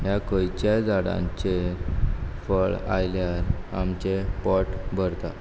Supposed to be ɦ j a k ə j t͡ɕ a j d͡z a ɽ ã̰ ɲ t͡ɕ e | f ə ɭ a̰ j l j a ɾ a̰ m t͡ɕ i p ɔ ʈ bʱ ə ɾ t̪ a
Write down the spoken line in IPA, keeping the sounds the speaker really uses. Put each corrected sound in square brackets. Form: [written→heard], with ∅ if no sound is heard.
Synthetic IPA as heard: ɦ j a k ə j t͡ɕ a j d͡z a ɽ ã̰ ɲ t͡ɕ e | f ə ɭ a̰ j l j a ɾ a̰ m t͡ɕ [i→e] p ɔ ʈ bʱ ə ɾ t̪ a